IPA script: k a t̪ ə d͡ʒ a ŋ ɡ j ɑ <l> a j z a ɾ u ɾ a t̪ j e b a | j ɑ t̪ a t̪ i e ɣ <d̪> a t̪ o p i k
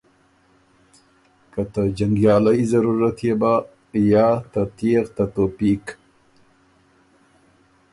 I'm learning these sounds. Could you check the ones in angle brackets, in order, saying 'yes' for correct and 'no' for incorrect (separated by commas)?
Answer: yes, no